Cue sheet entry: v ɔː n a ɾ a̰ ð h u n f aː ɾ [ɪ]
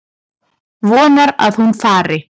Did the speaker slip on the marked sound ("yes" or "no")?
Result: no